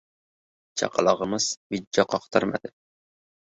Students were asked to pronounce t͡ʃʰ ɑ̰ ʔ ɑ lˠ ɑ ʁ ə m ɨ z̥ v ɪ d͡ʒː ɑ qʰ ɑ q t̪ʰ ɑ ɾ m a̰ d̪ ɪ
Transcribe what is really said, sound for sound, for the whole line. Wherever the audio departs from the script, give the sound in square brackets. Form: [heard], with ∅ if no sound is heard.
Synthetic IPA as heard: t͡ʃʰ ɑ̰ [q] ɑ lˠ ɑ ʁ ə m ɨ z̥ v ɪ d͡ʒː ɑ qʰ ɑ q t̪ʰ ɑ ɾ m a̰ d̪ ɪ

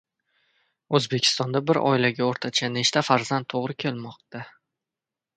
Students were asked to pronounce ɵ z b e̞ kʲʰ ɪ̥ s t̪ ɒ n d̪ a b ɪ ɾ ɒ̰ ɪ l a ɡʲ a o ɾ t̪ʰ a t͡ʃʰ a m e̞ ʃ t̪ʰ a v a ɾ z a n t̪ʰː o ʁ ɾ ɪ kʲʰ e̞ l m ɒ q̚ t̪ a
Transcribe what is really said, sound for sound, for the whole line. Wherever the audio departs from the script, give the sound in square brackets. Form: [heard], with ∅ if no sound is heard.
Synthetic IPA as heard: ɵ z b e̞ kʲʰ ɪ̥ s t̪ ɒ n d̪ a b ɪ ɾ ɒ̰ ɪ l a ɡʲ a o ɾ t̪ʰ a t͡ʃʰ a [n] e̞ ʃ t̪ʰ a [f] a ɾ z a n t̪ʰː o ʁ ɾ ɪ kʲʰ e̞ l m ɒ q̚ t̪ a

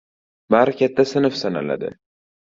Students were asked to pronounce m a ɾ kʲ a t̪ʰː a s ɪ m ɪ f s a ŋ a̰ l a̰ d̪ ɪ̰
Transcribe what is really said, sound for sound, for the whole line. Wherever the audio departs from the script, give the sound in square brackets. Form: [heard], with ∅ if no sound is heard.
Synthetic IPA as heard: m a ɾ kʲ a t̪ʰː a s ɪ [n] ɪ f s a [n] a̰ l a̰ d̪ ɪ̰

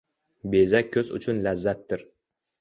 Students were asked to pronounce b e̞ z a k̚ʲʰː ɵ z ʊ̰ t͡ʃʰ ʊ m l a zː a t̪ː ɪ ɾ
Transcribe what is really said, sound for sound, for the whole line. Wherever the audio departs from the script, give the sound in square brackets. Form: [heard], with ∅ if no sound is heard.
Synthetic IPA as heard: b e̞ z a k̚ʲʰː ɵ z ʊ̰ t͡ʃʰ ʊ [n] l a zː a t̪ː ɪ ɾ

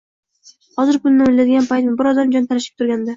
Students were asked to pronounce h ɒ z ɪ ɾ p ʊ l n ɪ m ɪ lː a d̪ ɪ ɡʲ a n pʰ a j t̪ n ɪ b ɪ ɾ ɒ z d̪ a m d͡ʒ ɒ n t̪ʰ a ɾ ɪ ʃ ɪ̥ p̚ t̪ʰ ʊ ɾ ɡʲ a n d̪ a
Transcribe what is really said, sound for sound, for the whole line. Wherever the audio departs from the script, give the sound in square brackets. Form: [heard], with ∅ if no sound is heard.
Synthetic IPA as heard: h ɒ z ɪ ɾ p ʊ l n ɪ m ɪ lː a d̪ ɪ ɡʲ a n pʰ a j t̪ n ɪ b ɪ ɾ ɒ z d̪ a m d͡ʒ ɒ n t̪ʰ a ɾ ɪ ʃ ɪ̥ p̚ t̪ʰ ʊ ɾ ɡʲ a n d̪ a

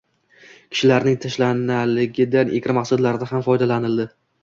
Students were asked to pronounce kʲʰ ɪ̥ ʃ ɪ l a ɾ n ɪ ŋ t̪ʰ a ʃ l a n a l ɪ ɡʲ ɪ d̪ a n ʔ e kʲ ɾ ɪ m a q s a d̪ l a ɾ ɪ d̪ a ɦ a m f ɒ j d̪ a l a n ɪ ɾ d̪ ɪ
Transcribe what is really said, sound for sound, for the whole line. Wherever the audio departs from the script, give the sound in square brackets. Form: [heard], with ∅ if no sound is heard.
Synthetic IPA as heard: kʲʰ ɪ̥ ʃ ɪ l a ɾ n ɪ ŋ t̪ʰ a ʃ l a n a l ɪ ɡʲ ɪ d̪ a n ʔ e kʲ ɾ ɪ m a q s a d̪ l a ɾ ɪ d̪ a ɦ a m f ɒ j d̪ a l a n ɪ [l] d̪ ɪ

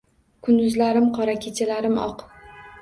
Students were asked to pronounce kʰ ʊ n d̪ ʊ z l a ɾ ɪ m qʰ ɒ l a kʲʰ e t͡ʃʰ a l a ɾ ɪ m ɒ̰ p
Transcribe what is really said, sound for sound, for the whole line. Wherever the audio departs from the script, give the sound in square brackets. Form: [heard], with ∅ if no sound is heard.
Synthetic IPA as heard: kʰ ʊ n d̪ ʊ z l a ɾ ɪ m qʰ ɒ [ɾ] a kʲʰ e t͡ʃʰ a l a ɾ ɪ m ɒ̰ [q]

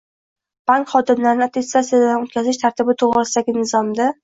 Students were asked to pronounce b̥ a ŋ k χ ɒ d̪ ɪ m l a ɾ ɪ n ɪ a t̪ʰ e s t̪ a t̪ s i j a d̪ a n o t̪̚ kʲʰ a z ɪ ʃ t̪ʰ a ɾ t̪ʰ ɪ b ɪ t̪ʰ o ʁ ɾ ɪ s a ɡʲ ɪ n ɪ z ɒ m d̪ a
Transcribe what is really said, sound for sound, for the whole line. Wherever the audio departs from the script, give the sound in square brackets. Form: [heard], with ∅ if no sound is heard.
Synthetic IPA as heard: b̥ a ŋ k χ ɒ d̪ ɪ m l a ɾ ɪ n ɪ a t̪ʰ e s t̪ a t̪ s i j a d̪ a n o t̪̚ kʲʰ a z ɪ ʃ t̪ʰ a ɾ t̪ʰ ɪ b ɪ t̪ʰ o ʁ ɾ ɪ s a ɡʲ ɪ n ɪ z ɒ m d̪ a

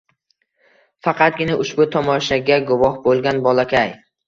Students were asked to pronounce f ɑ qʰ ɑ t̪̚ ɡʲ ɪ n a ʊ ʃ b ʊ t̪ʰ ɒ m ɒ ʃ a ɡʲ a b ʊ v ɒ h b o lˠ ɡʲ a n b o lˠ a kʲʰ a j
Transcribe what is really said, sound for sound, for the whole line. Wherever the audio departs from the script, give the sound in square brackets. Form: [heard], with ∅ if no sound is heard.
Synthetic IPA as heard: f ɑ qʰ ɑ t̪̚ ɡʲ ɪ n a ʊ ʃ b ʊ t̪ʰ ɒ m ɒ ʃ a ɡʲ a [ɡ] ʊ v ɒ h b o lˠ ɡʲ a n b [ɒ] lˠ a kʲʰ a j

